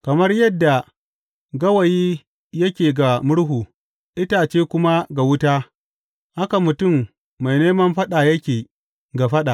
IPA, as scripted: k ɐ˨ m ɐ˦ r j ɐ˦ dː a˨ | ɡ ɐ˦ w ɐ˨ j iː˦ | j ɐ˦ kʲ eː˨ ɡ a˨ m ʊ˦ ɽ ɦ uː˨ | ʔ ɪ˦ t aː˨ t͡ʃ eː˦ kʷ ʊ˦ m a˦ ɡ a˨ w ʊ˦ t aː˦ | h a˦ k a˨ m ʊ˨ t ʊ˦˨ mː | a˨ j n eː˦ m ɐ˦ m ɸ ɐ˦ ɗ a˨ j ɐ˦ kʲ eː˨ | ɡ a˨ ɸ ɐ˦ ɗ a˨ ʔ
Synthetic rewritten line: k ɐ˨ m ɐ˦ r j ɐ˦ dː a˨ | ɡ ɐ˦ w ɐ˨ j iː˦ | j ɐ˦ kʲ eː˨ ɡ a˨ m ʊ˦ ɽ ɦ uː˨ | ʔ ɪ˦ t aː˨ t͡ʃ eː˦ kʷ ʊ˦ m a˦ ɡ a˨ w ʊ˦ t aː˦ | h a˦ k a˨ m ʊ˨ t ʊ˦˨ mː | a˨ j n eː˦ m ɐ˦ m ɸ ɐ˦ ɗ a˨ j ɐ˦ kʲ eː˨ | ɡ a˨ ɸ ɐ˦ ɗ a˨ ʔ